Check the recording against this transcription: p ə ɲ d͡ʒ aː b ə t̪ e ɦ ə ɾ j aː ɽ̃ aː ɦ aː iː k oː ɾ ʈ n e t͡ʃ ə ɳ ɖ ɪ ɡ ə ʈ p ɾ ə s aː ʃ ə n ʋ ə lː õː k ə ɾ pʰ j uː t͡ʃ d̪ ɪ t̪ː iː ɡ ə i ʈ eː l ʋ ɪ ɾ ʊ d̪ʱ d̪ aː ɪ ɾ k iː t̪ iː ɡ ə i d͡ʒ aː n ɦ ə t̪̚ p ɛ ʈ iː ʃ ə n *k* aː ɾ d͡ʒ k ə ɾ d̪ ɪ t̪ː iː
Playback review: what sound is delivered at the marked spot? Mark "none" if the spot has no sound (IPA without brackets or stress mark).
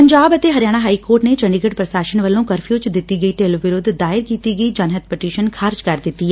kʰ